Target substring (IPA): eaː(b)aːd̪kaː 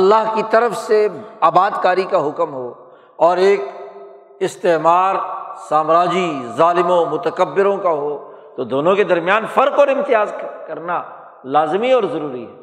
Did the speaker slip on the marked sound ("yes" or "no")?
no